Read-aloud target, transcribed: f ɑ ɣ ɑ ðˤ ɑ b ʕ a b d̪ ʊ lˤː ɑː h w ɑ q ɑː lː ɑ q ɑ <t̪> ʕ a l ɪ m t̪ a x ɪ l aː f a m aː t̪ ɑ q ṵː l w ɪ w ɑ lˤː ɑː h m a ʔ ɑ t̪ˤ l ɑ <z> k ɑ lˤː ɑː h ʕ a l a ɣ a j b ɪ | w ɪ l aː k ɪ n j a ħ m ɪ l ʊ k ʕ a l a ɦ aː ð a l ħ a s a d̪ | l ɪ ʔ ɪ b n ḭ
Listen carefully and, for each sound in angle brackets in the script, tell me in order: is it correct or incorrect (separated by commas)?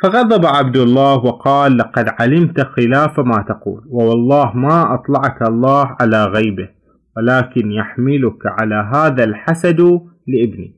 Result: incorrect, incorrect